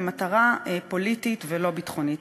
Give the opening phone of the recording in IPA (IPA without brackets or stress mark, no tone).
m